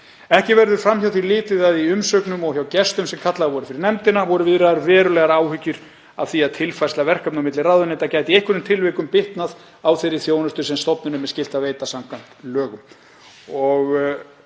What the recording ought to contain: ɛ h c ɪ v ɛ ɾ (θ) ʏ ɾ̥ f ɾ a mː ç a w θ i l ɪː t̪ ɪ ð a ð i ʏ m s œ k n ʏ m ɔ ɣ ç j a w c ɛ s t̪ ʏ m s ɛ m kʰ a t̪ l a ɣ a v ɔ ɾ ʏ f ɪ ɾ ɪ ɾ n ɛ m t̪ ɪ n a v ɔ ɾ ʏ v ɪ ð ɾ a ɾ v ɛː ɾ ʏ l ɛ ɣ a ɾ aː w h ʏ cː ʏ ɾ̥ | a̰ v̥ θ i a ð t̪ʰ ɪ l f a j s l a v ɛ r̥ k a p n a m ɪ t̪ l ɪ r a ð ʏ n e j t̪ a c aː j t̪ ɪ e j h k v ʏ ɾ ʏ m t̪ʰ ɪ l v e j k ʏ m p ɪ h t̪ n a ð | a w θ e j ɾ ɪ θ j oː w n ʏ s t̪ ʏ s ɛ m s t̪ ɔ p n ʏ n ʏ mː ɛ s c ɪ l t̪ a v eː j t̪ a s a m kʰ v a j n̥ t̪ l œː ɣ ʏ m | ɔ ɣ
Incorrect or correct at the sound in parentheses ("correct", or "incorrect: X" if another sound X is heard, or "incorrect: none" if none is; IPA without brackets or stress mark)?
incorrect: ð